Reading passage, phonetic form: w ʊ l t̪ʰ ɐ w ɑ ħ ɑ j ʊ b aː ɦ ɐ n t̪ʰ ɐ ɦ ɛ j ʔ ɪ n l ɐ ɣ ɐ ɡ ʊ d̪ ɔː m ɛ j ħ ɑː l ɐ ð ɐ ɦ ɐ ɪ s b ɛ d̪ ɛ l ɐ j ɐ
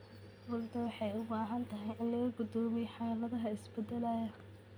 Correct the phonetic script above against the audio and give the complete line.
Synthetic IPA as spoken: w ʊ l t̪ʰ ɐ w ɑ ħ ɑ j ʊ b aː ɦ ɐ n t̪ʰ ɐ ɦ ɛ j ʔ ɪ n l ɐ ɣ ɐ ɡ ʊ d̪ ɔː m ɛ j ħ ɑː l ɐ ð ɐ ɦ ɐ ɪ s b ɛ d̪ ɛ l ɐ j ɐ